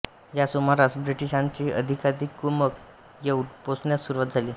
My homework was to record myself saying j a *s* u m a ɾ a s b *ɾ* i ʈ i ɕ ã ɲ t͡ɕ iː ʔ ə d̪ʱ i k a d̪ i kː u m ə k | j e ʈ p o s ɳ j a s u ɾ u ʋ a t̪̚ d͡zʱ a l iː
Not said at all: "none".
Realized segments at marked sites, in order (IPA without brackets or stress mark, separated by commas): s, ɾ